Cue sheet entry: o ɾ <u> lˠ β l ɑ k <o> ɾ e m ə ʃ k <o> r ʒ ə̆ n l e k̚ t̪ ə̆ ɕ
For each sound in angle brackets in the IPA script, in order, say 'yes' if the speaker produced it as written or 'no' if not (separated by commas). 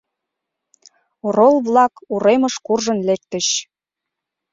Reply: no, no, no